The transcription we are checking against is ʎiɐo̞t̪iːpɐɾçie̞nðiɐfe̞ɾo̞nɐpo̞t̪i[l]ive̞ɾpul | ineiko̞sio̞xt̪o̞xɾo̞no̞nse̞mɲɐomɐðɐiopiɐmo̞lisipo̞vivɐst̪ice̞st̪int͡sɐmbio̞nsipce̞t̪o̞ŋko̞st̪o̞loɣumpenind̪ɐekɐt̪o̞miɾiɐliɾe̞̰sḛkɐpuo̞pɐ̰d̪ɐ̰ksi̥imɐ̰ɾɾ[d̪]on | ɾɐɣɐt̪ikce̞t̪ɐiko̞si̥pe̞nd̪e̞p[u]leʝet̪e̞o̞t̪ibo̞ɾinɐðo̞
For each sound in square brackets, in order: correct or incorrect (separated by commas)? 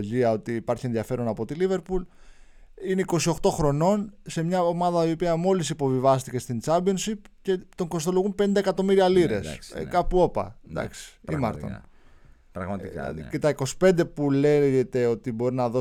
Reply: correct, incorrect, correct